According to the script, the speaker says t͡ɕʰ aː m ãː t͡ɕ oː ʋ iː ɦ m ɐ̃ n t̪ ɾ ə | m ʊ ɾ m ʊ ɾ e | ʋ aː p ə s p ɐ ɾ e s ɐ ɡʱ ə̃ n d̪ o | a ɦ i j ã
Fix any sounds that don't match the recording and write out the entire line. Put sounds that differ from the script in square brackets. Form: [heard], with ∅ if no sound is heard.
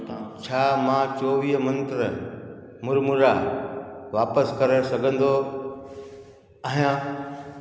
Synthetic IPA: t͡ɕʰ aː m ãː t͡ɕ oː ʋ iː ɦ m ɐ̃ n t̪ ɾ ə | m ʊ ɾ m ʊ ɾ [a] | ʋ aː p ə s [k] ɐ ɾ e s ɐ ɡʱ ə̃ n d̪ o | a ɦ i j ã

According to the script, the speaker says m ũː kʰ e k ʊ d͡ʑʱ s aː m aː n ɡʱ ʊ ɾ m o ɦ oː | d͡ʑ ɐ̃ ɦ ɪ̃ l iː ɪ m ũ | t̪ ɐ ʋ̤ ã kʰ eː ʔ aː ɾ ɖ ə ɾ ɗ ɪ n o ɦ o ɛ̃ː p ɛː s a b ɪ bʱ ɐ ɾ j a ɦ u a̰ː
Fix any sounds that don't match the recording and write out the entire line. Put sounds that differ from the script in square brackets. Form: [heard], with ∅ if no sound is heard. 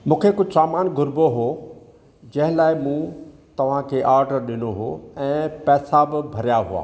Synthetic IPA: m ũː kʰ e k ʊ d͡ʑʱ s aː m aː n ɡʱ ʊ ɾ [b] o ɦ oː | d͡ʑ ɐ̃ ɦ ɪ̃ l [aː] ɪ m ũ | t̪ ɐ ʋ̤ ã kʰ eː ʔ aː ɾ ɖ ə ɾ ɗ ɪ n o ɦ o ɛ̃ː p ɛː s a b ɪ bʱ ɐ ɾ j a ɦ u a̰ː

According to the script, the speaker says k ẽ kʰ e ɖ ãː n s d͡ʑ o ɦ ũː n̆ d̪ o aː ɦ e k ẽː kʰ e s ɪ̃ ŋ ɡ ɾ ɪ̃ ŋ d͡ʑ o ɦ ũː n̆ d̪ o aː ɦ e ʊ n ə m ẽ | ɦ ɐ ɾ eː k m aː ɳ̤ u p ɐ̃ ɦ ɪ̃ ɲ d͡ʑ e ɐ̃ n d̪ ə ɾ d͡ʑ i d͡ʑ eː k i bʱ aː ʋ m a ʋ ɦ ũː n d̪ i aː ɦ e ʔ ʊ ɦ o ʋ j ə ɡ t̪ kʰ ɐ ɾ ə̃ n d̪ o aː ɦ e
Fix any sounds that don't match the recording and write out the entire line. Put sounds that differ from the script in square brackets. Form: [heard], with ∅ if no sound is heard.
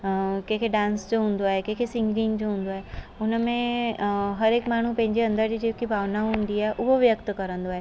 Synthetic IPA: k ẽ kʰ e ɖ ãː n s d͡ʑ o ɦ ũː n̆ d̪ o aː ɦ e k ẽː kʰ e s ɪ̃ ŋ ɡ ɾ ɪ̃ ŋ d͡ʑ o ɦ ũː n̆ d̪ o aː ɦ e ʊ n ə m ẽ | ɦ ɐ ɾ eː k m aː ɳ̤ u p ɐ̃ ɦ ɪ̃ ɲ d͡ʑ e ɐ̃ n d̪ ə ɾ d͡ʑ i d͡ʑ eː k i bʱ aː ʋ [n] a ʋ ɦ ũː n d̪ i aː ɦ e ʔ ʊ ɦ o ʋ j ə [k] t̪ [k] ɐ ɾ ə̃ n d̪ o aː ɦ e

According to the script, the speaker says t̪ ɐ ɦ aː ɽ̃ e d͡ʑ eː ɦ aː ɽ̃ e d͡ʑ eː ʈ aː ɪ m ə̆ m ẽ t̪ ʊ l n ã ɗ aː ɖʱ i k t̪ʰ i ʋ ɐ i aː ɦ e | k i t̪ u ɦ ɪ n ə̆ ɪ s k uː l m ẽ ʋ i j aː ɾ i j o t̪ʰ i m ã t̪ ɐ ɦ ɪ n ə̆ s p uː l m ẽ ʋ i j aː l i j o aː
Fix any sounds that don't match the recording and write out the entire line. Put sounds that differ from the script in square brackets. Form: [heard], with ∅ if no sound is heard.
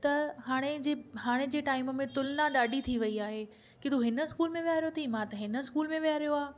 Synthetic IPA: t̪ ɐ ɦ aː ɽ̃ e d͡ʑ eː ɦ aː ɽ̃ e d͡ʑ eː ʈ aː ɪ m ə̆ m ẽ t̪ ʊ l n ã ɗ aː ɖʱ i [∅] t̪ʰ i ʋ ɐ i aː ɦ e | k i t̪ u ɦ ɪ n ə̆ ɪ s k uː l m ẽ ʋ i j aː ɾ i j o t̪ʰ i m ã t̪ ɐ ɦ ɪ n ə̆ s [k] uː l m ẽ ʋ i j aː [ɾ] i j o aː

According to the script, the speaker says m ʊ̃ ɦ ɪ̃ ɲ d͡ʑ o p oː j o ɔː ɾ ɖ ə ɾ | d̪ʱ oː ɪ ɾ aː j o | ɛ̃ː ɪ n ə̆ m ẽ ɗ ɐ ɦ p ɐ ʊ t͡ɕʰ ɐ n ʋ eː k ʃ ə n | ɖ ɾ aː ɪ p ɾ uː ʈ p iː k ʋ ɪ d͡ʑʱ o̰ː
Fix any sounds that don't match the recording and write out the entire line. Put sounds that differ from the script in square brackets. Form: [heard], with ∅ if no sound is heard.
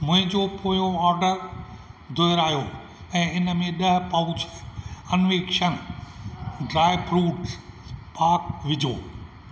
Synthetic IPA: m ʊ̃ ɦ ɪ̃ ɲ d͡ʑ o p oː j o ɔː ɾ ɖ ə ɾ | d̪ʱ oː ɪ ɾ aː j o | ɛ̃ː ɪ n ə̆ m ẽ ɗ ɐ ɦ p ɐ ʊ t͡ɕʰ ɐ n ʋ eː k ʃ ə n | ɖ ɾ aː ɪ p ɾ uː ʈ p [aː] k ʋ ɪ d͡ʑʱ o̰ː

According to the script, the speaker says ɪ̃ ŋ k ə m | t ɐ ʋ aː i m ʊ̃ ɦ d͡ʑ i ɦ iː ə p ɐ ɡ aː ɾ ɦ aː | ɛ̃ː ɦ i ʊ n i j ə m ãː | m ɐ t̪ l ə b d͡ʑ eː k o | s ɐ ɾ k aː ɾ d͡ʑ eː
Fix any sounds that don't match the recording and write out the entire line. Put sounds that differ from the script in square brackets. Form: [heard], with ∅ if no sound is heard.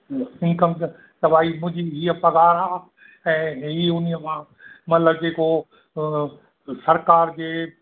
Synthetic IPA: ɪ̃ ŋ k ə m | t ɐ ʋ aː i m ʊ̃ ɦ d͡ʑ i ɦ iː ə p ɐ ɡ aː ɾ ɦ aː | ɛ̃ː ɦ i ʊ n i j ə m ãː | m ɐ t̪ l ə b d͡ʑ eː k o | s ɐ ɾ k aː ɾ d͡ʑ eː

